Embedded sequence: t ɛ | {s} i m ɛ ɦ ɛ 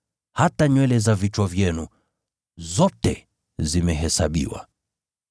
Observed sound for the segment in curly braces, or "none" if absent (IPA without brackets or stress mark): z